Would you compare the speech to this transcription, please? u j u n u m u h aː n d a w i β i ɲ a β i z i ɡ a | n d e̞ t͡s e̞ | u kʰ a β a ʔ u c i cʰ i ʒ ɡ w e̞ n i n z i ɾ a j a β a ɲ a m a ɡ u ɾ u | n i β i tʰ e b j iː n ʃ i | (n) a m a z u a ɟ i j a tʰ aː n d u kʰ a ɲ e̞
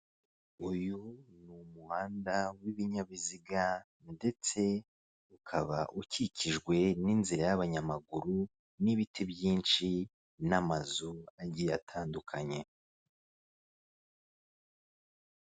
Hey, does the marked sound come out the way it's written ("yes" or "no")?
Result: yes